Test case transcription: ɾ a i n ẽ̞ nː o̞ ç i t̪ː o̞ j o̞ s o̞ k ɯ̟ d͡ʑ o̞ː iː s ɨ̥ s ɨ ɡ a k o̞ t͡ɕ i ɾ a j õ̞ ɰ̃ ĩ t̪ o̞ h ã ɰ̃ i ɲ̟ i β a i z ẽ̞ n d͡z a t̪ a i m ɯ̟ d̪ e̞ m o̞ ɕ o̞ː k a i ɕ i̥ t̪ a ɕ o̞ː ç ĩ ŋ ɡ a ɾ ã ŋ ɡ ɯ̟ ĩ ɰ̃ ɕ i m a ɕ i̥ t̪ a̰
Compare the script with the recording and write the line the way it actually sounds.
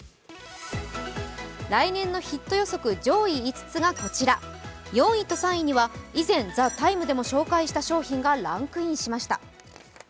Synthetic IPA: ɾ a i n ẽ̞ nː o̞ ç i t̪ː o̞ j o̞ s o̞ k ɯ̟ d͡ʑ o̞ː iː t͡s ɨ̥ t͡s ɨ ɡ a k o̞ t͡ɕ i ɾ a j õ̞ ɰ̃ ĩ t̪ o̞ s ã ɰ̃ i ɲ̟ i β a i z ẽ̞ n d͡z a t̪ a i m ɯ̟ d̪ e̞ m o̞ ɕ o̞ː k a i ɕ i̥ t̪ a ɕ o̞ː ç ĩ ŋ ɡ a ɾ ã ŋ k ɯ̟ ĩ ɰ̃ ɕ i m a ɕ i̥ t̪ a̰